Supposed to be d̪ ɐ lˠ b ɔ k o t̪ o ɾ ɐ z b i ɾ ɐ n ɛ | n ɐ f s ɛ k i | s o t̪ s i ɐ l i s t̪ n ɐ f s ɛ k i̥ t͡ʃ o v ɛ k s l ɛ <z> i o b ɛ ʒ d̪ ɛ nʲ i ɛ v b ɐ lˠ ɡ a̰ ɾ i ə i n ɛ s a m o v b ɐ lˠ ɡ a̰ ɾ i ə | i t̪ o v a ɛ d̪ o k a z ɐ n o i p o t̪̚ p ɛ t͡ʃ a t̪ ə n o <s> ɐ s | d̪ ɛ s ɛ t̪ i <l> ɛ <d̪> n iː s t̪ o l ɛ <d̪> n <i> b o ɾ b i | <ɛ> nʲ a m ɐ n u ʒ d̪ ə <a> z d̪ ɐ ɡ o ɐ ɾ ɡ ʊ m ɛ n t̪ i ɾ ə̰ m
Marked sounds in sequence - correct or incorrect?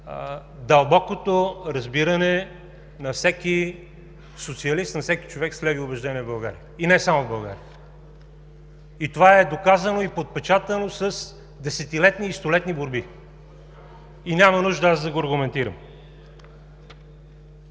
incorrect, correct, correct, incorrect, incorrect, correct, incorrect, correct

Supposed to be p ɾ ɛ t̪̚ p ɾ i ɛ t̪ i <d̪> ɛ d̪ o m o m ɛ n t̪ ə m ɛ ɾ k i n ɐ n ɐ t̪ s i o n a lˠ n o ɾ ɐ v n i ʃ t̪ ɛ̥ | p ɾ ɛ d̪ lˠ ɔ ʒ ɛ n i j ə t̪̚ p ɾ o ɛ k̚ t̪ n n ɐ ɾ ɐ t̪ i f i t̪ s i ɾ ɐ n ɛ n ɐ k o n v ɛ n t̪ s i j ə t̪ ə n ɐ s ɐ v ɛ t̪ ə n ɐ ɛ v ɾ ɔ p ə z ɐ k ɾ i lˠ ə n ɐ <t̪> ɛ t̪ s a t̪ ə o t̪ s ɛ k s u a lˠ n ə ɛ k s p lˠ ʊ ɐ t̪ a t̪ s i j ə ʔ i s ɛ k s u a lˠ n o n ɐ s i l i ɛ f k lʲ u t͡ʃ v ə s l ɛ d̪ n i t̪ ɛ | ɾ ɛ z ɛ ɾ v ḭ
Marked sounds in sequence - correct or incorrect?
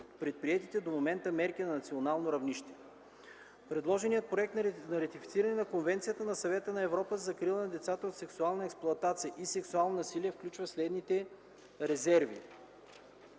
incorrect, incorrect

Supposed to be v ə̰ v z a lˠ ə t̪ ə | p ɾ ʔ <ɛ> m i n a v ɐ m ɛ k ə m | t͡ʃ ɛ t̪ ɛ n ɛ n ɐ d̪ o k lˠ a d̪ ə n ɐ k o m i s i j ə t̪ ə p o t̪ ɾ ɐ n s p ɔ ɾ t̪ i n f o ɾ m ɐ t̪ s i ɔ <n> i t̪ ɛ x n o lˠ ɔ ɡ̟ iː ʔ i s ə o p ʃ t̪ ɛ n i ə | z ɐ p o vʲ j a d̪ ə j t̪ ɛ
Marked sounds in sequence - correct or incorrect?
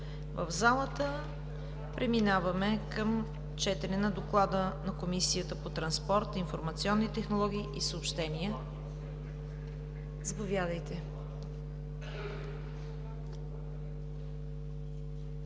correct, incorrect

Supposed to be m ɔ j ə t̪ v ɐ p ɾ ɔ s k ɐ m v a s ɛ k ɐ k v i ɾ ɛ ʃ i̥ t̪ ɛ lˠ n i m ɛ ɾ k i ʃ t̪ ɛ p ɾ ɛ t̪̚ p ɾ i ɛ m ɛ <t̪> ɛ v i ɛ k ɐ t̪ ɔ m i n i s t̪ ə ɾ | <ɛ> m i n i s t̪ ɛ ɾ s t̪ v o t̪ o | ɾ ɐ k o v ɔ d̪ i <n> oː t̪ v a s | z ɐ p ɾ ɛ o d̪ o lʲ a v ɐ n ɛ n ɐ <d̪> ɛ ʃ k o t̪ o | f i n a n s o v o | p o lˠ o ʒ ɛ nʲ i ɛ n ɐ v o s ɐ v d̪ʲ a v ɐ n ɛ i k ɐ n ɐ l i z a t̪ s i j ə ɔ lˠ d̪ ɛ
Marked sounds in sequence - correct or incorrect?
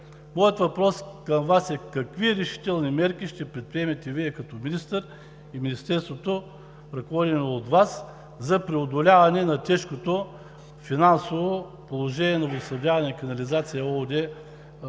correct, incorrect, correct, incorrect

